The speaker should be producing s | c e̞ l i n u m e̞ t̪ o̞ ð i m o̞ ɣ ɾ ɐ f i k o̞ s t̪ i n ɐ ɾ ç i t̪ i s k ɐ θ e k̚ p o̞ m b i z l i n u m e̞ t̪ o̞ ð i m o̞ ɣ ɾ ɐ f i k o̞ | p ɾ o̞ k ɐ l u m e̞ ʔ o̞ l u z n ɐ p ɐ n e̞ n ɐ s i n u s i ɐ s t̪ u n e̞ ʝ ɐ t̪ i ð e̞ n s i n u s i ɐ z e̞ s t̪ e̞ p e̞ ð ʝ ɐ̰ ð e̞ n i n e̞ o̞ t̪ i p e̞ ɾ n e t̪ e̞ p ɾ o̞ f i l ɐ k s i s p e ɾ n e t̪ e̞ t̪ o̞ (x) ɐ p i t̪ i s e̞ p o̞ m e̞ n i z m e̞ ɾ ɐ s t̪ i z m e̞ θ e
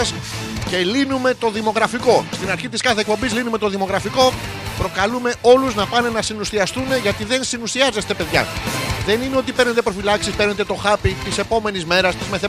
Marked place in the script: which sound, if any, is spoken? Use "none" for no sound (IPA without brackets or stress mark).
x